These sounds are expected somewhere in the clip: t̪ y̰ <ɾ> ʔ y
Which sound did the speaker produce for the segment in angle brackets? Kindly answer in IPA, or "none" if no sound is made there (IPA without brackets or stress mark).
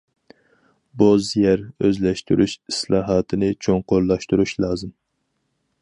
ɾ